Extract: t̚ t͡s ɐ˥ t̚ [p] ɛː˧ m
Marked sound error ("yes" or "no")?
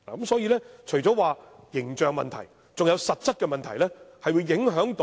yes